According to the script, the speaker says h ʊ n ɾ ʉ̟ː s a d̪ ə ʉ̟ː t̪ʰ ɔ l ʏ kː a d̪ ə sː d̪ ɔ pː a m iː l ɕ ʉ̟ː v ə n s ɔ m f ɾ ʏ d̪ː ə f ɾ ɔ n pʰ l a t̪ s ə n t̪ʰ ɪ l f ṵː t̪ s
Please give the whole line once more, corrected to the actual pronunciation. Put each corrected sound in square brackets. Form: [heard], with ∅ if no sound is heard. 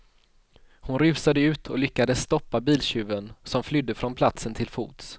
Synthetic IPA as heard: h ʊ n ɾ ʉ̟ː s a d̪ ə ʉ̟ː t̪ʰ ɔ l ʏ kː a d̪ ə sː [t̪] ɔ pː a [b] iː l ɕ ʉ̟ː v ə n s ɔ m f [l] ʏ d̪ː ə f ɾ ɔ n pʰ l a t̪ s ə n t̪ʰ ɪ l f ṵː t̪ s